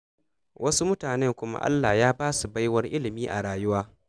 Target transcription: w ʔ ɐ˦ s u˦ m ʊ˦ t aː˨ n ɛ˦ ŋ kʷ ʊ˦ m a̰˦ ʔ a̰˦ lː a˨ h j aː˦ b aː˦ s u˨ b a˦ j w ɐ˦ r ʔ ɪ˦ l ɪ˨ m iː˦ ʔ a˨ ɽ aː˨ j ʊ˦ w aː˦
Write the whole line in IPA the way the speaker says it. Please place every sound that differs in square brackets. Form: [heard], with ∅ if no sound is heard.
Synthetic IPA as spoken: w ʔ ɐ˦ s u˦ m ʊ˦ t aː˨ n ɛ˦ ŋ kʷ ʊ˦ m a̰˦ ʔ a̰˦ lː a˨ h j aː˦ b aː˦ s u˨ b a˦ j w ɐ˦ r ʔ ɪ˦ l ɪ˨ m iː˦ ʔ a˨ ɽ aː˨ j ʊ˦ w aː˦